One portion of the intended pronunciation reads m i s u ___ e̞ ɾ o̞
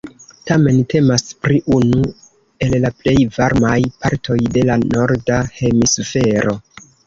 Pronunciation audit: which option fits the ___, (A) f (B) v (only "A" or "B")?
A